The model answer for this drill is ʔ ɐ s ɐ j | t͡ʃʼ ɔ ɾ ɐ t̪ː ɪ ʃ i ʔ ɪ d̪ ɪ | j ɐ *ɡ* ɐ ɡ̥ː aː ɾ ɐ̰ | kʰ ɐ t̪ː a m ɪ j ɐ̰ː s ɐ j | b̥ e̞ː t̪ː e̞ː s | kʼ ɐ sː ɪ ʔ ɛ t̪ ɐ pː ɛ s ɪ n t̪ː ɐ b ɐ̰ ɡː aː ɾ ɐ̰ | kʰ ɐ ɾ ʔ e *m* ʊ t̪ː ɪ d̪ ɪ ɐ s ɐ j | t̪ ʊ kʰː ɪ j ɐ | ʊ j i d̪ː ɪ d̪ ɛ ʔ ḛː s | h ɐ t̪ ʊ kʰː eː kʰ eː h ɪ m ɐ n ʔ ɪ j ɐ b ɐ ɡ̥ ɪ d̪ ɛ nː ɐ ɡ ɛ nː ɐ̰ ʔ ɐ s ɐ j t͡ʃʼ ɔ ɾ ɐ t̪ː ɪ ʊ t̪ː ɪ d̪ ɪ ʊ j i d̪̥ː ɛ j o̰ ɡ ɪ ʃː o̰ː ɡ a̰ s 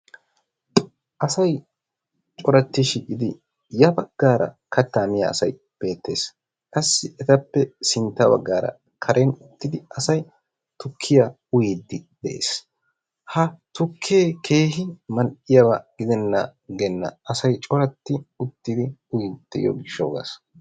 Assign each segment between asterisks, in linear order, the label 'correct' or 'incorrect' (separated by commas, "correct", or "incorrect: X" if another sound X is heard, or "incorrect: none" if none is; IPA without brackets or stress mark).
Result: incorrect: b, incorrect: n